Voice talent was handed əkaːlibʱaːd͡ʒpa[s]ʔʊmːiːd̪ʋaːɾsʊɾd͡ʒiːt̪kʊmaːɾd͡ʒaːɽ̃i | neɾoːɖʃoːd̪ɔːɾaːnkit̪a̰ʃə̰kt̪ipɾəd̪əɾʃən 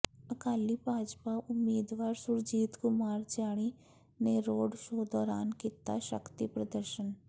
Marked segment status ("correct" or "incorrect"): incorrect